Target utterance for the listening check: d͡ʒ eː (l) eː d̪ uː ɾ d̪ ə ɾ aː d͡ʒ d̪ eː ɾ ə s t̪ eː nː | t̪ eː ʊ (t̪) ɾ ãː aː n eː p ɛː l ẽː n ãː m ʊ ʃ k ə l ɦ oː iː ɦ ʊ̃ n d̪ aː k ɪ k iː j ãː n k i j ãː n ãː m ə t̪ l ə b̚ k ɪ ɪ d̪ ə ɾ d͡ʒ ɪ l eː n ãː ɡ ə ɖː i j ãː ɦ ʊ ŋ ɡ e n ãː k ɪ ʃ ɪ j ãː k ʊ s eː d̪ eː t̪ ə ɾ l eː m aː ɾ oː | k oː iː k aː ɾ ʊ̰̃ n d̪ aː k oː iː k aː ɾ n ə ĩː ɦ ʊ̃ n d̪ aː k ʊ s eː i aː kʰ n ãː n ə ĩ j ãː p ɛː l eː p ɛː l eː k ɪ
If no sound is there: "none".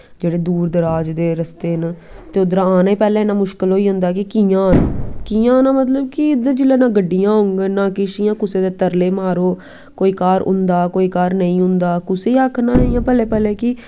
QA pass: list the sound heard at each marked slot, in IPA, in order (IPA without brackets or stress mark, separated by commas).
ɽ, d̪